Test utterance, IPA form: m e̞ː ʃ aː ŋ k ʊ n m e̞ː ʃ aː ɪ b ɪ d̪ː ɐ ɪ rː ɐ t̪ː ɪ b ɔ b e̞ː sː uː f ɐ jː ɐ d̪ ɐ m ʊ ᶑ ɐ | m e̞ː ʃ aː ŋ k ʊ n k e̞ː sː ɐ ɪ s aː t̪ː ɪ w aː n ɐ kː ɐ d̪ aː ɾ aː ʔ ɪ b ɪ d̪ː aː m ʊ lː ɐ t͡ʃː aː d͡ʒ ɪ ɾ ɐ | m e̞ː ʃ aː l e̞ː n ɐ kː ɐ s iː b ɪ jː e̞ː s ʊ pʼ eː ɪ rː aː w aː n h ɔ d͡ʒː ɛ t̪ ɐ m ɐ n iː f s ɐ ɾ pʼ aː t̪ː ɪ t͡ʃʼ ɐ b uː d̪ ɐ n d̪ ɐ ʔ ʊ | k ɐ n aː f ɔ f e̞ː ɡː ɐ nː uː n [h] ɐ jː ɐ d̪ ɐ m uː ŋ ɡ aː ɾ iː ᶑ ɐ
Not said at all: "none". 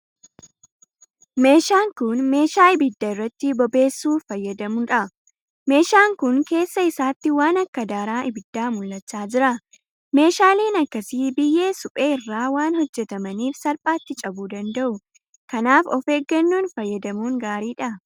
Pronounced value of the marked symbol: f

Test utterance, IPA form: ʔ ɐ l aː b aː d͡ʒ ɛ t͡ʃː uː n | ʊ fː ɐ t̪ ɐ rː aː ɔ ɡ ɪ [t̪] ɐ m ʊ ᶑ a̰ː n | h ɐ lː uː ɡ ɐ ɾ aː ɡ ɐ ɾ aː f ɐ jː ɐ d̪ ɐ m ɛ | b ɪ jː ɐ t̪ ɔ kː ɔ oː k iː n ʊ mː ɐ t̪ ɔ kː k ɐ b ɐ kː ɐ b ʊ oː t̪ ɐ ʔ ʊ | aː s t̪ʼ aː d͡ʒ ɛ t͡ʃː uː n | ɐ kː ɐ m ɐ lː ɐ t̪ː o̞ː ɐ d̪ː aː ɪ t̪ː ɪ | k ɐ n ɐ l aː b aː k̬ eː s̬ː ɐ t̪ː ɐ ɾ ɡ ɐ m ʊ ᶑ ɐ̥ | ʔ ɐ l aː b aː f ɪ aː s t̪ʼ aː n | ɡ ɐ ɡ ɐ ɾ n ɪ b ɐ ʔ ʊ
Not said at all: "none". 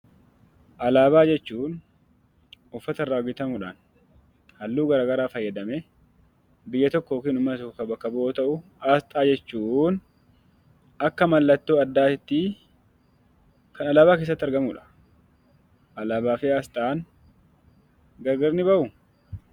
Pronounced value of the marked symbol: t̪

